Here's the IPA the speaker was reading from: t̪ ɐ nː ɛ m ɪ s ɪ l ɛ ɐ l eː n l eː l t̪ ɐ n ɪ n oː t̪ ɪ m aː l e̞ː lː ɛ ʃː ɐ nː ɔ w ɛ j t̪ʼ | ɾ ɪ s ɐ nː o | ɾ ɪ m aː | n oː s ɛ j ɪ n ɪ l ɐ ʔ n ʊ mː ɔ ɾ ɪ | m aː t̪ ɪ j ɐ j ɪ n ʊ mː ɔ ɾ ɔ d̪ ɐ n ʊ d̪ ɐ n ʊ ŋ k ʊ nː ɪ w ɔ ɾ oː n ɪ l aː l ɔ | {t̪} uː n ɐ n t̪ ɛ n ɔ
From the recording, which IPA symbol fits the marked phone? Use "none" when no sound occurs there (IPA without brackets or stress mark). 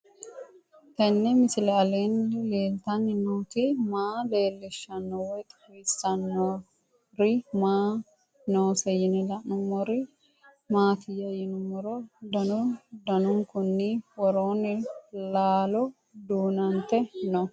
d̪